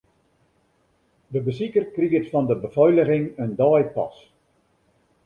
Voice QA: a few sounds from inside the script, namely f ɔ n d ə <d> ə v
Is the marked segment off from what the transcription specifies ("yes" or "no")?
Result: yes